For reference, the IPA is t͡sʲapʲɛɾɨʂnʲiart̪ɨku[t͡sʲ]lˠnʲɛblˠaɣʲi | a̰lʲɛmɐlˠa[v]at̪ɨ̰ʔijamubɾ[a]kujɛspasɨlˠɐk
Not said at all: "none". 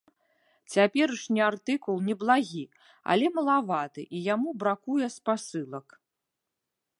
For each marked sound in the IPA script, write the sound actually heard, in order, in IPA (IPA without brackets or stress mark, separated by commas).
none, v, a